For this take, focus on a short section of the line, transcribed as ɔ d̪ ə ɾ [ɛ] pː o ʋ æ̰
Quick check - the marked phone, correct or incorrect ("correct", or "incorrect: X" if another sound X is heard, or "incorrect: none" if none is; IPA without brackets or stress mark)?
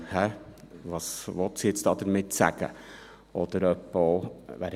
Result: incorrect: œ